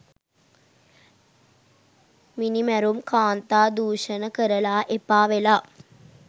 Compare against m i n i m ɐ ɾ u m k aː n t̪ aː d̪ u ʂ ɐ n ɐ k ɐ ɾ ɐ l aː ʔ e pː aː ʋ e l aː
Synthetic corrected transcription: m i n i m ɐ ɾ u m k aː n t̪ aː d̪ uː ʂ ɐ n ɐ k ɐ ɾ ɐ l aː ʔ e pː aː ʋ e l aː